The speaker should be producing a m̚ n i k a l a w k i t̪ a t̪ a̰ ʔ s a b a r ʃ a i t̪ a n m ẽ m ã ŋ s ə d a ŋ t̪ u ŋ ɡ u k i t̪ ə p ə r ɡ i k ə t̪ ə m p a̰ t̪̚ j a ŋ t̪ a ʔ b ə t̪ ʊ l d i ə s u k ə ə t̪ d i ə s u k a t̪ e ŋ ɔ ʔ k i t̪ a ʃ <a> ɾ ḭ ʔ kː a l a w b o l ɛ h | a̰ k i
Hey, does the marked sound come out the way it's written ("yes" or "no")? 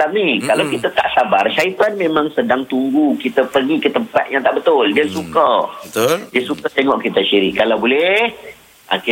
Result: no